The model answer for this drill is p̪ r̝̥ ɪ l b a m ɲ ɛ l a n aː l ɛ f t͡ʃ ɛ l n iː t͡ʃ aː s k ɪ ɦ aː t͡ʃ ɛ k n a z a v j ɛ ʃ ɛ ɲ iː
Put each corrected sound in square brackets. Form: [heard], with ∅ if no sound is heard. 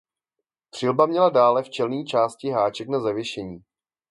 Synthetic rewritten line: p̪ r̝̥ ɪ l b a m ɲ ɛ l a [d] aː l ɛ f t͡ʃ ɛ l n iː t͡ʃ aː s [c] ɪ ɦ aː t͡ʃ ɛ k n a z a v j ɛ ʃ ɛ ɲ iː